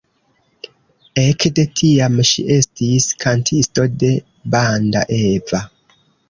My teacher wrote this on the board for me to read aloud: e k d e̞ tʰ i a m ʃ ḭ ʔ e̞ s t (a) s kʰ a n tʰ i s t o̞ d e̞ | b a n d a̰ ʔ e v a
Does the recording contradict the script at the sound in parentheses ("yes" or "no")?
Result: yes